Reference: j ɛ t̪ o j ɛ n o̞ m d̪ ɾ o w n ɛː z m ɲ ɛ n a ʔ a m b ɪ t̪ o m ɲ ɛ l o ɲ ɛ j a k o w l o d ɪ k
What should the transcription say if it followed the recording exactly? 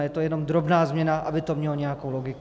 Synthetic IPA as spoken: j ɛ t̪ o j ɛ n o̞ m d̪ ɾ o b n aː z m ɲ ɛ n a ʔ a b ɪ t̪ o m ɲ ɛ l o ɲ ɛ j a k o w l o ɡ ɪ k